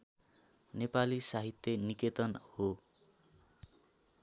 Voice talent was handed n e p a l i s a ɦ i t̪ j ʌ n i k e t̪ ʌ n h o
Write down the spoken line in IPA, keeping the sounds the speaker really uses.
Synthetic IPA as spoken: n e p a l i s a ɦ i t̪ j ʌ n i k e t̪ ʌ n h o